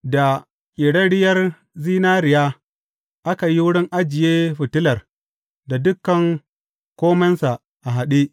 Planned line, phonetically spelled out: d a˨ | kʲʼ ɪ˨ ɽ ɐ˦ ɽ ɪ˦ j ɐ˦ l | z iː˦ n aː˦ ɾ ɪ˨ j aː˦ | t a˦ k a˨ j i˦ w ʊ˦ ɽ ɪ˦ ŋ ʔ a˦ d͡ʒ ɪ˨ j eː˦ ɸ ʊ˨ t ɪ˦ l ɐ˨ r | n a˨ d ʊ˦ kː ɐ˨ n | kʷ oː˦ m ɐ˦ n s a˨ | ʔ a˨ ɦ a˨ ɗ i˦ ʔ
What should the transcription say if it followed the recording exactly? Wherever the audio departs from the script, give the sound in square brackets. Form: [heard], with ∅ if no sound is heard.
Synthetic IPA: d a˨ | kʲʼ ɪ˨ ɽ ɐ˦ ɽ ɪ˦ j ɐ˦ [r] | z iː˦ n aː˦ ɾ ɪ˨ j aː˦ | [ʔ] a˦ k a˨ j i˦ w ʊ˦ ɽ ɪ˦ ŋ ʔ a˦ d͡ʒ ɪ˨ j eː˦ ɸ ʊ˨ t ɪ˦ l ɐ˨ r | [d] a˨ d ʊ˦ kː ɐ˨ [ŋ] | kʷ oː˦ m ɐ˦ n s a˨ | ʔ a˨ ɦ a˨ ɗ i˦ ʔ